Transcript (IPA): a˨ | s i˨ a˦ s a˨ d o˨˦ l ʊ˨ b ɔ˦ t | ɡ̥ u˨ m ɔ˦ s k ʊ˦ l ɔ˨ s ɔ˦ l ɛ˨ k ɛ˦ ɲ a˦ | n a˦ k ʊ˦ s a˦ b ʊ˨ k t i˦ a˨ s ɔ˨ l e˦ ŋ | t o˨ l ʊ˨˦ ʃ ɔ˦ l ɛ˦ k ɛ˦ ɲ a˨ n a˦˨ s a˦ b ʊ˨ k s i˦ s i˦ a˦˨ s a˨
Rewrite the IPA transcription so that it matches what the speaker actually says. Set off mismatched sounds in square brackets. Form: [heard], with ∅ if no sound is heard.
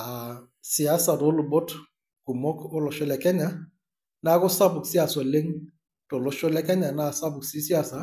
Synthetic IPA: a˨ | s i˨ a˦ s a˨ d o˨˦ l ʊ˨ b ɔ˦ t | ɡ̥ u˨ m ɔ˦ [∅] k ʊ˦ l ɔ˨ [ʃ] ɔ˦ l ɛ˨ k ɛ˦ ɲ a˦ | n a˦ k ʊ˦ s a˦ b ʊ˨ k [s] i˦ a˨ s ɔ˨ l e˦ ŋ | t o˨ l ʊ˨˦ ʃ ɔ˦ l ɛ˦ k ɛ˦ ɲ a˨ n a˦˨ s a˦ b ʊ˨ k s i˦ s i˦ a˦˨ s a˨

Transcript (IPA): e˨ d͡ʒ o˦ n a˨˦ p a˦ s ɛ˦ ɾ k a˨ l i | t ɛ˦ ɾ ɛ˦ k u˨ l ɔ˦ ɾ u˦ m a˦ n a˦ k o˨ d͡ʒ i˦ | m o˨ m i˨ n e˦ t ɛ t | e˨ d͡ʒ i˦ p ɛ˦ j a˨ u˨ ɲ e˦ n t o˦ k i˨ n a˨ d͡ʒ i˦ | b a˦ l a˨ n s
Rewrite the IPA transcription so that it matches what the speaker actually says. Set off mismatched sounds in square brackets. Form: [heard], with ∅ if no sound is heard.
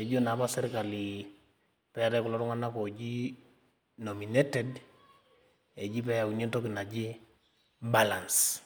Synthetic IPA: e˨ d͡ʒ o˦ n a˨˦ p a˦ s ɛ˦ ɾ k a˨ l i | [p] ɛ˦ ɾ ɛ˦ k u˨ l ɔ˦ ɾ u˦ [ŋ] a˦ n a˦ k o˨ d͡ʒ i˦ | [n] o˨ m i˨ n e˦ t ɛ [d] | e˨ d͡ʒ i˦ p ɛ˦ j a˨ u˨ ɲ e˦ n t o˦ k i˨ n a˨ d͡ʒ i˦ | b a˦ l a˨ n s

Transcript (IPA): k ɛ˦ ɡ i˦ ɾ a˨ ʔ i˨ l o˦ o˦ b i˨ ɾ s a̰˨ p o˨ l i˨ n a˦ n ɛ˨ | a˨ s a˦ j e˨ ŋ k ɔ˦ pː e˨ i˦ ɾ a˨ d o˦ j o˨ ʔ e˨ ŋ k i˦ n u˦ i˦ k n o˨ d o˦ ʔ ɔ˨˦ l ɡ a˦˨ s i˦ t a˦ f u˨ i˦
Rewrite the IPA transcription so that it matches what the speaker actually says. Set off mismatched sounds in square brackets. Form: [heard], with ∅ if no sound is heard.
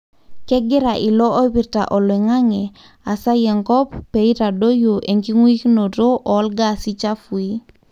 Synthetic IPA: k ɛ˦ ɡ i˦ ɾ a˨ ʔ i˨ l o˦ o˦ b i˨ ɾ [t] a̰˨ [ʔ] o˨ l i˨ [ŋ] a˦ [ŋ] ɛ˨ | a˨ s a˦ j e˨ ŋ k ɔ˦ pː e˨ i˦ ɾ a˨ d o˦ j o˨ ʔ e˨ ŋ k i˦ [ŋ] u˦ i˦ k n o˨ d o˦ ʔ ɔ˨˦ l ɡ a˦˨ s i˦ [t͡ʃ] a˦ f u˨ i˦

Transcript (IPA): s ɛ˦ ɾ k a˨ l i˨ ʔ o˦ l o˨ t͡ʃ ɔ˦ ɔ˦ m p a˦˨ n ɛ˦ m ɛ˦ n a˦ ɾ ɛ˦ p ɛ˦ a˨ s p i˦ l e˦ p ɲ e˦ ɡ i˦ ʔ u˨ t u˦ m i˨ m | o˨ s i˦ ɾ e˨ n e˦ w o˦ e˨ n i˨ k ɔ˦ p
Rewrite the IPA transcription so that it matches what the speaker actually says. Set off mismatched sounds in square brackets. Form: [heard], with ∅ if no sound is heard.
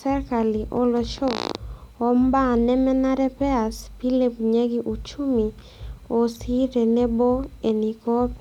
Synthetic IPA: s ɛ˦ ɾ k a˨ l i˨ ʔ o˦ l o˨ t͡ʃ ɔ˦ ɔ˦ m [b] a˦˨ n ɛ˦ m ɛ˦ n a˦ ɾ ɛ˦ p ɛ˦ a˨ s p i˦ l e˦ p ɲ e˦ ɡ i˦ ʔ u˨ [t͡ʃ] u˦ m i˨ [∅] | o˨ s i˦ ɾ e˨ n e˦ [b] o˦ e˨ n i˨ k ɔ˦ p

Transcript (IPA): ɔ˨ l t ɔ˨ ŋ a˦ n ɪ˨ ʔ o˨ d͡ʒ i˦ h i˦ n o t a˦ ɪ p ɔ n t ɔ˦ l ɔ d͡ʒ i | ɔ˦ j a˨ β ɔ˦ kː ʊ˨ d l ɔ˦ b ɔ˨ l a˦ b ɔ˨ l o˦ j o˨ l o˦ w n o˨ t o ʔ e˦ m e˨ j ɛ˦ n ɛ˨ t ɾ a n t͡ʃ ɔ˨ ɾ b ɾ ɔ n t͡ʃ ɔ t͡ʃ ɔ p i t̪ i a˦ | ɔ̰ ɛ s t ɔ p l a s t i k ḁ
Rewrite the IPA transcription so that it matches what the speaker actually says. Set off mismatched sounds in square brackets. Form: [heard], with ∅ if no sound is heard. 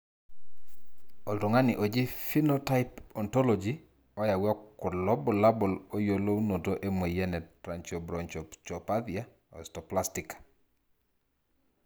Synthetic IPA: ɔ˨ l t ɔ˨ ŋ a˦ n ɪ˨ ʔ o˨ d͡ʒ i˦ [f] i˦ n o t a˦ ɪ p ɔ n t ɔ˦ l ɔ d͡ʒ i | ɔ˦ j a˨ [w] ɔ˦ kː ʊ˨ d l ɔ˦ b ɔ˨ l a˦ b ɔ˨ l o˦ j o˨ l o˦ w n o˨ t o ʔ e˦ m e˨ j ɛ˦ n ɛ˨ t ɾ a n t͡ʃ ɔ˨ [∅] b ɾ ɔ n t͡ʃ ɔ t͡ʃ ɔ p [a] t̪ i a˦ | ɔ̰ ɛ s t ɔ p l a s t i k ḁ

